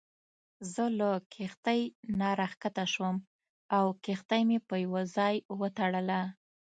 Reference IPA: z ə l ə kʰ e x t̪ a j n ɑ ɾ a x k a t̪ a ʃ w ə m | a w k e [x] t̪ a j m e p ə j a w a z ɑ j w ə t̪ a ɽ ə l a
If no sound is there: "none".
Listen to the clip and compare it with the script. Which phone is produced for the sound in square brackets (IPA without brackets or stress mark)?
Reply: x